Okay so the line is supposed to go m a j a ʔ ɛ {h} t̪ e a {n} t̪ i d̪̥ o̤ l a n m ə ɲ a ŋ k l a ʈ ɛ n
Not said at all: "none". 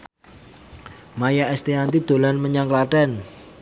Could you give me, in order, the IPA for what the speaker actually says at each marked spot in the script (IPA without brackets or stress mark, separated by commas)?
s, n